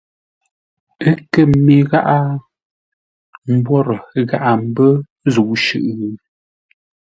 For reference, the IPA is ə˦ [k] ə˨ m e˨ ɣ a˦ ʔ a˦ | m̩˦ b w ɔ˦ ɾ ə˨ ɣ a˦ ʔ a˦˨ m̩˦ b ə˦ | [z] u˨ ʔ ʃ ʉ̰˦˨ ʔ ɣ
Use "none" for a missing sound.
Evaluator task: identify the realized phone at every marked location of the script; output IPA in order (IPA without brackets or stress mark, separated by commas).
k, z